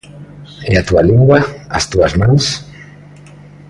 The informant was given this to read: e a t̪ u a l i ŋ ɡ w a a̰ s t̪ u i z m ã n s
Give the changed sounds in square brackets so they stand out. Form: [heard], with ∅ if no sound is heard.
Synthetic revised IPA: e a t̪ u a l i ŋ ɡ w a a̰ s t̪ u [a] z m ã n s